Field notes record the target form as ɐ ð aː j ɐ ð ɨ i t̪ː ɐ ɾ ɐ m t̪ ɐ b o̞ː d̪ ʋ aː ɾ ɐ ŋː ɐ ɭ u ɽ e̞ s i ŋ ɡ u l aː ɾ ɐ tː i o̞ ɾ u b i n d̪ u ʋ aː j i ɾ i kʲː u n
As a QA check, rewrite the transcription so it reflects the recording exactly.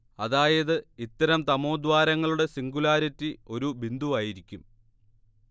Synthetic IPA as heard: ɐ ð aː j ɐ ð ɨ i t̪ː ɐ ɾ ɐ m t̪ ɐ m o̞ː d̪ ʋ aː ɾ ɐ ŋː ɐ ɭ u ɽ e̞ s i ŋ ɡ u l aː ɾ ɐ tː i o̞ ɾ u b i n d̪ u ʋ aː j i ɾ i kʲː u m

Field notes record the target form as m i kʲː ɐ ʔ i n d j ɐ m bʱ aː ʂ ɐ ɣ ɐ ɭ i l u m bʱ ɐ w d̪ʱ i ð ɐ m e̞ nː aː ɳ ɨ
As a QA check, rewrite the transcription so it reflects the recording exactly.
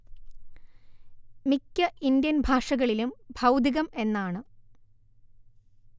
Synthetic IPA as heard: m i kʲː ɐ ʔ i n d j ɐ n bʱ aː ʂ ɐ ɣ ɐ ɭ i l u m bʱ ɐ w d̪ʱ i ɣ ɐ m e̞ nː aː ɳ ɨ

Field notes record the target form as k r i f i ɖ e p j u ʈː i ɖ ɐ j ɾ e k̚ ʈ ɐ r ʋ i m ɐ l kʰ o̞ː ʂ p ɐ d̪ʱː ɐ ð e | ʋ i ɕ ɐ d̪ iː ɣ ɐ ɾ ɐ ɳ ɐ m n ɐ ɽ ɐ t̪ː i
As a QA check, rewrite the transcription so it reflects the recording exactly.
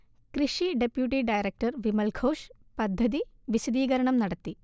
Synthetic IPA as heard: k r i ʂ i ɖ e p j u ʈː i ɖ ɐ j ɾ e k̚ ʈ ɐ r ʋ i m ɐ l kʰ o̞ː ʂ p ɐ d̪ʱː ɐ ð i | ʋ i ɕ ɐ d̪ iː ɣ ɐ ɾ ɐ ɳ ɐ m n ɐ ɽ ɐ t̪ː i

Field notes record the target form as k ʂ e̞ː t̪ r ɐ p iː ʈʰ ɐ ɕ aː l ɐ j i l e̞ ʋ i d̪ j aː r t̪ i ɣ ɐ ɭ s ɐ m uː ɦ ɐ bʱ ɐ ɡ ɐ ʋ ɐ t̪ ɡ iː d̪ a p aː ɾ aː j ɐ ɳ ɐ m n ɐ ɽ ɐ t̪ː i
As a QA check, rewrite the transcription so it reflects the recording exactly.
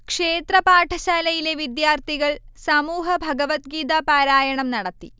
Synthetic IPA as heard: k ʂ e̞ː t̪ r ɐ p aː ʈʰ ɐ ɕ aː l ɐ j i l e̞ ʋ i d̪ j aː r t̪ i ɣ ɐ ɭ s ɐ m uː ɦ ɐ bʱ ɐ ɡ ɐ ʋ ɐ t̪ ɡ iː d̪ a p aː ɾ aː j ɐ ɳ ɐ m n ɐ ɽ ɐ t̪ː i

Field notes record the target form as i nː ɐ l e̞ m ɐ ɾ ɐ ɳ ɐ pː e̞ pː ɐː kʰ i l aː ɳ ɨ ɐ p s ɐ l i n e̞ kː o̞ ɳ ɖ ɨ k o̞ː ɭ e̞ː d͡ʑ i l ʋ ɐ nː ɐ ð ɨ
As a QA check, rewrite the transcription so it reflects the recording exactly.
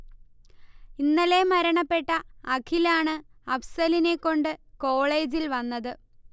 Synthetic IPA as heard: i nː ɐ l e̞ m ɐ ɾ ɐ ɳ ɐ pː e̞ ʈː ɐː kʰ i l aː ɳ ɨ ɐ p s ɐ l i n e̞ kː o̞ ɳ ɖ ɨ k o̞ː ɭ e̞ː d͡ʑ i l ʋ ɐ nː ɐ ð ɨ

